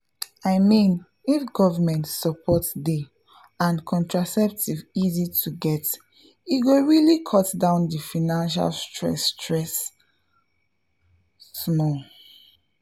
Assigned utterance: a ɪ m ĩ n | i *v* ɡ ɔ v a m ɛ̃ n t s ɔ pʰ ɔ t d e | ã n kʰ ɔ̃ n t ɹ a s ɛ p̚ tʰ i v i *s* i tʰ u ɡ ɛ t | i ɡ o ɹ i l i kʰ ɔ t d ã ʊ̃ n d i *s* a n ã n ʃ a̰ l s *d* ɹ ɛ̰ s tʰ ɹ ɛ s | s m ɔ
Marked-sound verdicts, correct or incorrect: incorrect, incorrect, incorrect, incorrect

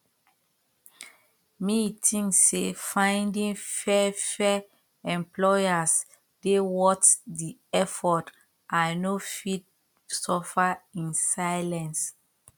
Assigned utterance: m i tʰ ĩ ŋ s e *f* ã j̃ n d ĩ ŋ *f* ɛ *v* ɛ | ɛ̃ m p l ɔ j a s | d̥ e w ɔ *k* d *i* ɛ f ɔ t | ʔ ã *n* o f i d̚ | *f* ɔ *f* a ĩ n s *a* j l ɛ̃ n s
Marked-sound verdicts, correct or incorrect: correct, correct, incorrect, incorrect, correct, correct, incorrect, correct, correct

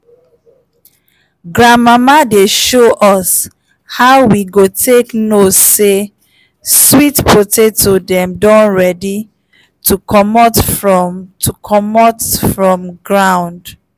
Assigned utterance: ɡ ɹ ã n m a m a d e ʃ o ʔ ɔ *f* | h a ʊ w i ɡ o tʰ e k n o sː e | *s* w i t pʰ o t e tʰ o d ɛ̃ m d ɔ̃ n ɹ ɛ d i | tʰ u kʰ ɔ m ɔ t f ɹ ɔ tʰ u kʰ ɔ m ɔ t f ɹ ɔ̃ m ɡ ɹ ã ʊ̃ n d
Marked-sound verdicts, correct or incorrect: incorrect, correct

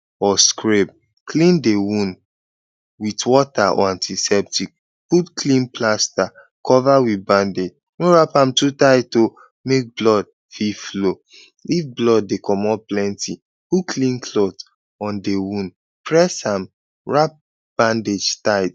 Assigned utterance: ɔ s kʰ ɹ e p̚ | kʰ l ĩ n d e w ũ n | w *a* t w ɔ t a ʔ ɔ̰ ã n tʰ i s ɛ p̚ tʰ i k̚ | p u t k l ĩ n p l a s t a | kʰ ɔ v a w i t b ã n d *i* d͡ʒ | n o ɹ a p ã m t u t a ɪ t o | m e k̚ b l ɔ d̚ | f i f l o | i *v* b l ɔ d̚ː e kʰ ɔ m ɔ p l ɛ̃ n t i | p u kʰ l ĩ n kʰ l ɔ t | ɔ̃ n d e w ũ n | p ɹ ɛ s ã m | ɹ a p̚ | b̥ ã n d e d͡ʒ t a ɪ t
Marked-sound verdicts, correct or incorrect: incorrect, incorrect, incorrect

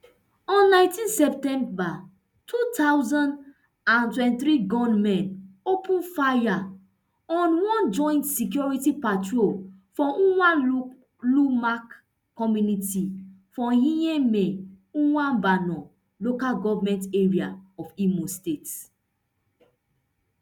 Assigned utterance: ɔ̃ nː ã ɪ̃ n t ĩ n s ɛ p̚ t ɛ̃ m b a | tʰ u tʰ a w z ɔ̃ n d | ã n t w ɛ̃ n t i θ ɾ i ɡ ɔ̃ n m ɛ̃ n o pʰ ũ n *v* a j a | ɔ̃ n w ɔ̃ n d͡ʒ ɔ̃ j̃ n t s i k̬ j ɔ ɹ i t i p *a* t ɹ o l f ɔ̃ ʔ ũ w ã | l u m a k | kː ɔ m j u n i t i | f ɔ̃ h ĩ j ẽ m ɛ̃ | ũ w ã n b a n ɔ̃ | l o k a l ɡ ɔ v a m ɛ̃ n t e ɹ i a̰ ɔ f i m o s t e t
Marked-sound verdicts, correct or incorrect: incorrect, correct

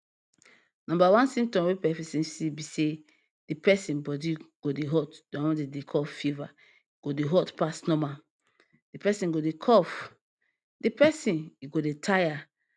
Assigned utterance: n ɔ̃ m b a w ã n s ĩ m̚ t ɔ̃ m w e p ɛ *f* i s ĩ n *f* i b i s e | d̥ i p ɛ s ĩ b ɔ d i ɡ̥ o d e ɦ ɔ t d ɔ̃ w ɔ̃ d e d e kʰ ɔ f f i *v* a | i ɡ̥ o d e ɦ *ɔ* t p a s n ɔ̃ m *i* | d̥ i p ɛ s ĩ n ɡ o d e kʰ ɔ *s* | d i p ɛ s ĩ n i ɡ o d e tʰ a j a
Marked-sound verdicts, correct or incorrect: correct, incorrect, correct, correct, incorrect, incorrect

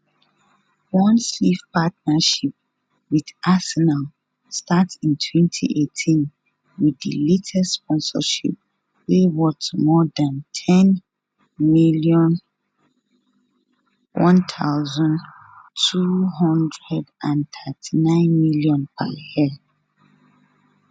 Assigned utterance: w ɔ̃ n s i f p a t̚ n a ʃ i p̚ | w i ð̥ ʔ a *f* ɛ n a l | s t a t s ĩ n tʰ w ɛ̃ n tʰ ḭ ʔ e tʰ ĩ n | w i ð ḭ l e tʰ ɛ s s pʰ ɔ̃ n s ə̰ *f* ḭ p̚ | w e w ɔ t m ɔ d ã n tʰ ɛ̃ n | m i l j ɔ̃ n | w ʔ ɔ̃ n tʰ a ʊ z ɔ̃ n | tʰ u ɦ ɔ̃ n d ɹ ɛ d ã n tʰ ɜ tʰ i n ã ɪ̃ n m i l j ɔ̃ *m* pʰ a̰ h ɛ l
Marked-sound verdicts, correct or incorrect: incorrect, incorrect, incorrect

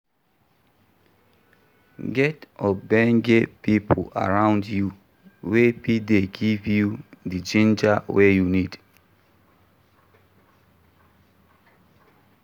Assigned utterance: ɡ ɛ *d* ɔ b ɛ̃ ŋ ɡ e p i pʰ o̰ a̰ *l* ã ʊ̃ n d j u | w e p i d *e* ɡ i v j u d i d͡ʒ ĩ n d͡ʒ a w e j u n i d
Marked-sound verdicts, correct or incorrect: incorrect, incorrect, correct

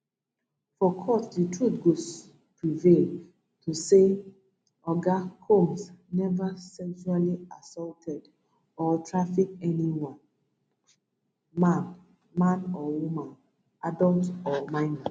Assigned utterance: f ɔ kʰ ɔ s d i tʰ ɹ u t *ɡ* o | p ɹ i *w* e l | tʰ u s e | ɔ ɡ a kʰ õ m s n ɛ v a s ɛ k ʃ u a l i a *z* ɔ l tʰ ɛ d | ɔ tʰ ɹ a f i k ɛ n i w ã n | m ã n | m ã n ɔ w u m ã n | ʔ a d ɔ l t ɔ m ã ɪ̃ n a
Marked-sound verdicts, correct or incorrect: correct, incorrect, incorrect

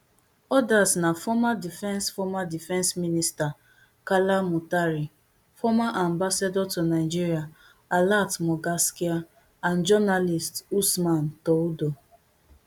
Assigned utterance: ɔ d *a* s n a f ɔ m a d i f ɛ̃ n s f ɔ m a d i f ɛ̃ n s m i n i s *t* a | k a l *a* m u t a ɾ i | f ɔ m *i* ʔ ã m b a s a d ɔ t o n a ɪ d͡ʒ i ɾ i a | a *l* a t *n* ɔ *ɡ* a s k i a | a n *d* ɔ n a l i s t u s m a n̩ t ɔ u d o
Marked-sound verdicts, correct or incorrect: correct, correct, correct, incorrect, correct, incorrect, correct, incorrect

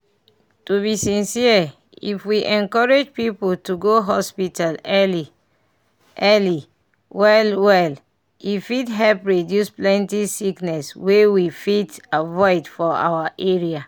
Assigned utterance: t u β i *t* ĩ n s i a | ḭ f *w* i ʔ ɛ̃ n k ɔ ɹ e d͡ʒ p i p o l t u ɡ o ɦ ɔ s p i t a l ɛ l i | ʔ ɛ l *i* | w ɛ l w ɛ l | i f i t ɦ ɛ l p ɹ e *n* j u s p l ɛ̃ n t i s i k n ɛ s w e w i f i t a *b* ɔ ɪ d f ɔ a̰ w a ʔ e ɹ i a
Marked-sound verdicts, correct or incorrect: incorrect, correct, correct, incorrect, incorrect

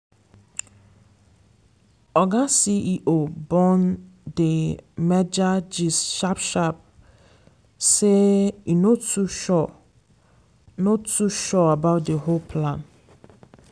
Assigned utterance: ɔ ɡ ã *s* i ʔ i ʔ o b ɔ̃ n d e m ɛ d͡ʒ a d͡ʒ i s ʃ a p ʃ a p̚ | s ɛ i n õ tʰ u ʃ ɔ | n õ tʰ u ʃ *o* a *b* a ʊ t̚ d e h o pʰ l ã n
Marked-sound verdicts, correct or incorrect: correct, incorrect, correct

